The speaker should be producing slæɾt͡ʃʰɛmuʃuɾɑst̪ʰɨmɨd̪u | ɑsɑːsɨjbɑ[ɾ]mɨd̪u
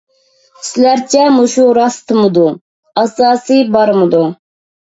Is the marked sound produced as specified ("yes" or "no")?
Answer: yes